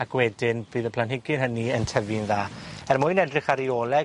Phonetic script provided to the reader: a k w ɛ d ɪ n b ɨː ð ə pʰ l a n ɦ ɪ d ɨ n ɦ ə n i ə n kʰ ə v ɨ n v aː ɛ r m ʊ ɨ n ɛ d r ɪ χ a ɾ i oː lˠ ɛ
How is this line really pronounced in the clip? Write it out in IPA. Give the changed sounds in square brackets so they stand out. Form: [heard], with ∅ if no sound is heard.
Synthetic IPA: a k w ɛ d ɪ n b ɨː ð ə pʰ l a n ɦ ɪ [ɡ] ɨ n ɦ ə n i ə n [tʰ] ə v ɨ n [ð] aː ɛ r m ʊ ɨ n ɛ d r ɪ χ a ɾ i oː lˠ ɛ